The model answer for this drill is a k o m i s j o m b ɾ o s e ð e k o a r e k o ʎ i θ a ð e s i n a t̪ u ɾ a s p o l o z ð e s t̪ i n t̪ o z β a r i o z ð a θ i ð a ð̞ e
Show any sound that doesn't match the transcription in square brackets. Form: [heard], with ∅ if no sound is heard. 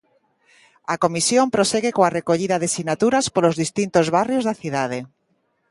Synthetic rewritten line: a k o m i s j o m [p] ɾ o s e [ɣ] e k o a r e k o ʎ i [ð] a ð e s i n a t̪ u ɾ a s p o l o z ð [i] s t̪ i n t̪ o z β a r [j] o z ð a θ i ð a ð̞ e